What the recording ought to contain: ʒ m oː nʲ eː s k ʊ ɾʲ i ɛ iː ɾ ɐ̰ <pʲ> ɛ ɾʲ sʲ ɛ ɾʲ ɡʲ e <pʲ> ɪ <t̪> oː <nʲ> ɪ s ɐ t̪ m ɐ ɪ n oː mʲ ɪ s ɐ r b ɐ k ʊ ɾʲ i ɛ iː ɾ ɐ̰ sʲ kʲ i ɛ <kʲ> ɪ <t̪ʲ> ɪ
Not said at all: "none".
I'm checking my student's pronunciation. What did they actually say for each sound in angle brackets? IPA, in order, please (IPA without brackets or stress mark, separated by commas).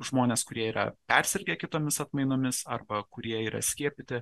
pʲ, kʲ, t̪, mʲ, pʲ, t̪ʲ